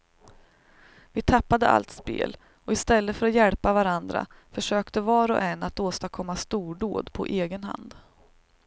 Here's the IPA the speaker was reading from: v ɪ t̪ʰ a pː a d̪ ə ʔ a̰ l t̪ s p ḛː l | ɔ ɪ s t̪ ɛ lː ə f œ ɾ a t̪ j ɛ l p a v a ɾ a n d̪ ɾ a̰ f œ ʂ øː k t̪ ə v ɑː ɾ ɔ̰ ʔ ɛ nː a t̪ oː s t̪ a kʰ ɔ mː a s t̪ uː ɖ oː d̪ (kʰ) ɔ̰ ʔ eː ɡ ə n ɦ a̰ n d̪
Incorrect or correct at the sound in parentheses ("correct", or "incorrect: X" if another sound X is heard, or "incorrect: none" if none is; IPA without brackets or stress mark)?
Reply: incorrect: pʰ